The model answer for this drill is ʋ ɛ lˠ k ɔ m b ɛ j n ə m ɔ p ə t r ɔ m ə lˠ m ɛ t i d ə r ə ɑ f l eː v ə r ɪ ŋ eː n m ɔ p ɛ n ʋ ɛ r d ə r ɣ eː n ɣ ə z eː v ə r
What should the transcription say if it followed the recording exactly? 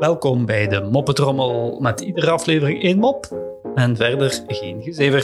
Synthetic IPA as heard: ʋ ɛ lˠ k ɔ m b ɛ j d ə m ɔ p ə t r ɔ m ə lˠ m ɛ t i d ə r ə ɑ f l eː v ə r ɪ ŋ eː n m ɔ p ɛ n v ɛ r d ə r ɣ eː n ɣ ə z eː v ə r